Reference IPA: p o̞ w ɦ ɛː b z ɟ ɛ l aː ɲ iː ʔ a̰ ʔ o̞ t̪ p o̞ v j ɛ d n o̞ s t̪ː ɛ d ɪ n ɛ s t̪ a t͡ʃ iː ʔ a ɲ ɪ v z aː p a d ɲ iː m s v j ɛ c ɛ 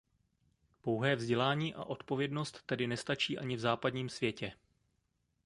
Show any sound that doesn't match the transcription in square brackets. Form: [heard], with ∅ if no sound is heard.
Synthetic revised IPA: p o̞ w ɦ ɛː [v] z ɟ ɛ l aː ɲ iː ʔ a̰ ʔ o̞ t̪ p o̞ v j ɛ d n o̞ s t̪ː ɛ d ɪ n ɛ s t̪ a t͡ʃ iː ʔ a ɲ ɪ v z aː p a d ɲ iː m s v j ɛ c ɛ

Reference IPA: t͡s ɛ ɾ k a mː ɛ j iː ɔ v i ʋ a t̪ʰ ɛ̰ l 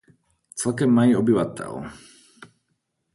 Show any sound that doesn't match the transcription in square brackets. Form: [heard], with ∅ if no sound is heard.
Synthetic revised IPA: t͡s ɛ [l] k [ɛ] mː [a] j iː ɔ [b] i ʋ a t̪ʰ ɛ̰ l

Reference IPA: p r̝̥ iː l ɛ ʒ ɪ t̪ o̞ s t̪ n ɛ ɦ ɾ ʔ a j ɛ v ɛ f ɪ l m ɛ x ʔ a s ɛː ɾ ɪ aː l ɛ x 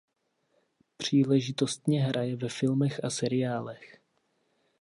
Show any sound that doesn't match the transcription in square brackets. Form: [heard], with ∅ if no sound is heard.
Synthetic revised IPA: p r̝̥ iː l ɛ ʒ ɪ t̪ o̞ s t̪ [ɲ] ɛ ɦ ɾ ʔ a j ɛ v ɛ f ɪ l m ɛ x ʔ a s [ɛ] ɾ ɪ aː l ɛ x

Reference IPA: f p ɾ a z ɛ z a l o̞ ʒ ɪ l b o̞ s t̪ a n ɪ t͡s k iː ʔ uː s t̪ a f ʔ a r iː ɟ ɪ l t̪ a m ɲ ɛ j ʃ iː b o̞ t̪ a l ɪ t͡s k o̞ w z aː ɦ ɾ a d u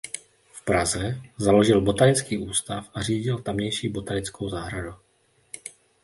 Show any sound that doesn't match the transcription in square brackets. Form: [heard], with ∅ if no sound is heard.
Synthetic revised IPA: f p ɾ a z ɛ z a l o̞ ʒ ɪ l b o̞ [∅] t̪ a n ɪ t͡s k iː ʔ uː s t̪ a f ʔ a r iː ɟ ɪ l t̪ a m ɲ ɛ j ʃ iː b o̞ t̪ a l ɪ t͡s k o̞ w z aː ɦ ɾ a d u

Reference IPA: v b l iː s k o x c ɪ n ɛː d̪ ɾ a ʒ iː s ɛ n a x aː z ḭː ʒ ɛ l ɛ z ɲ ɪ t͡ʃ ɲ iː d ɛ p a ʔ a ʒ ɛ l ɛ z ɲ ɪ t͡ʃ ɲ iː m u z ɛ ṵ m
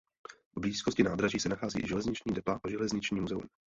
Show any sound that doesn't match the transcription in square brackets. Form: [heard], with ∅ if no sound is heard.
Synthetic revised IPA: v b l iː s k o [s] c ɪ n [aː] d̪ ɾ a ʒ iː s ɛ n a x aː z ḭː ʒ ɛ l ɛ z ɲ ɪ t͡ʃ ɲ iː d ɛ p a ʔ a ʒ ɛ l ɛ z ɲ ɪ t͡ʃ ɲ iː m u z ɛ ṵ m

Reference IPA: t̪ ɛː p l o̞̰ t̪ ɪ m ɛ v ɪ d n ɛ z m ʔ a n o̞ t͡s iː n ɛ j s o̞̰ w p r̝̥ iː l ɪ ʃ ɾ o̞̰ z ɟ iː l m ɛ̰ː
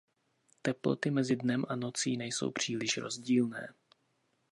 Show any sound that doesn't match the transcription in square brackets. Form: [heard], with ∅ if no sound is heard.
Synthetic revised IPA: t̪ [ɛ] p l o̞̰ t̪ ɪ m ɛ [z] ɪ d n ɛ [∅] m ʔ a n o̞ t͡s iː n ɛ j s o̞̰ w p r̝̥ iː l ɪ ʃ ɾ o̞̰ z ɟ iː l [n] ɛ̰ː

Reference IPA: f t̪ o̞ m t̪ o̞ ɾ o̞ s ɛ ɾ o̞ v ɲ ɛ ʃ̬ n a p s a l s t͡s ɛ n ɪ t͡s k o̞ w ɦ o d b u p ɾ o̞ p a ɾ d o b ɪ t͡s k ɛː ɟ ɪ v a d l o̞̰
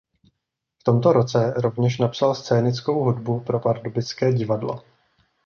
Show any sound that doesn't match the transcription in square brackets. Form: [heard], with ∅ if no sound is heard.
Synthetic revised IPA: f t̪ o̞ m t̪ o̞ ɾ o̞ [t͡s] ɛ ɾ o̞ v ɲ ɛ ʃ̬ n a p s a l s t͡s [ɛː] n ɪ t͡s k o̞ w ɦ [u] d b u p ɾ o̞ p a ɾ d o b ɪ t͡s k ɛː ɟ ɪ v a d l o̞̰

